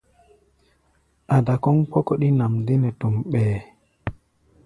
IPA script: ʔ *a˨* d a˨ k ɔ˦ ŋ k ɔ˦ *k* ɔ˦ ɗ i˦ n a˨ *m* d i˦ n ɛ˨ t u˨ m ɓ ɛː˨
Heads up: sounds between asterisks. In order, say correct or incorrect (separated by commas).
correct, correct, correct